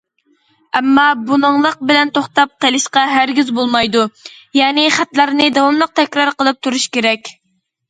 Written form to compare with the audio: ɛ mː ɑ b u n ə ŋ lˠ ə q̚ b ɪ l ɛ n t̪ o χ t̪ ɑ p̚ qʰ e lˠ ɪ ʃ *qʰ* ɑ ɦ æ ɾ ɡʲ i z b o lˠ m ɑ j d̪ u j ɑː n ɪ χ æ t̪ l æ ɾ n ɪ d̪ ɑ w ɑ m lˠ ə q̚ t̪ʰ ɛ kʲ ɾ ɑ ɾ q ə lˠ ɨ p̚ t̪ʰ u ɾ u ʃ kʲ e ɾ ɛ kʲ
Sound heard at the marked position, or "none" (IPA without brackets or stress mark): q